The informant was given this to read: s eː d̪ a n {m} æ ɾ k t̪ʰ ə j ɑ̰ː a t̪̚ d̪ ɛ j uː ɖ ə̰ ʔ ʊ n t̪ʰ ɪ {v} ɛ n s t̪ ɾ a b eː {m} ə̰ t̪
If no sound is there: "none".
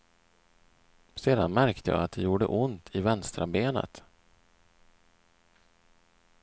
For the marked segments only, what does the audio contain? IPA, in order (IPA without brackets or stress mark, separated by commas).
m, v, n